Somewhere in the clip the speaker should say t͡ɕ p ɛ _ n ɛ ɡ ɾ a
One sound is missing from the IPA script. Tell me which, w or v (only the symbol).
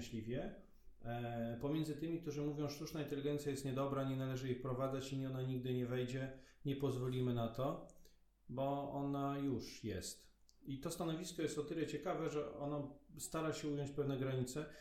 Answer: v